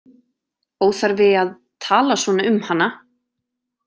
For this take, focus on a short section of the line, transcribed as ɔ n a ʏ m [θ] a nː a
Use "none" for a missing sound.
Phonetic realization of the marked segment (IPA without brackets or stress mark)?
h